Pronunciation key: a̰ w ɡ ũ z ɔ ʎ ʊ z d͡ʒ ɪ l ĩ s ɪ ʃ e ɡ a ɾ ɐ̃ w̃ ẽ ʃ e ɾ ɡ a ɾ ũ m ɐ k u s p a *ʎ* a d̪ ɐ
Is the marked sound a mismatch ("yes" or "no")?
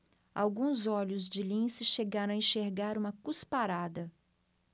yes